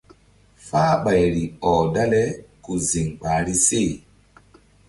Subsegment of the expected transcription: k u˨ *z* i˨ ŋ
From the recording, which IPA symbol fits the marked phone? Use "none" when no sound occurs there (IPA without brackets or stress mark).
z